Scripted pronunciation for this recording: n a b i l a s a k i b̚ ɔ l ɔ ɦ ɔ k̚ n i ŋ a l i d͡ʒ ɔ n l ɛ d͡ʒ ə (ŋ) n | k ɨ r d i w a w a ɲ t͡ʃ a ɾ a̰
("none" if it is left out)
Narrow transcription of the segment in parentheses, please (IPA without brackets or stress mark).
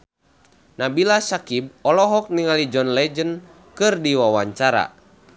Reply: none